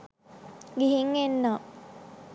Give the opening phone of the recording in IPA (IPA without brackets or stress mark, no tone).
ɡ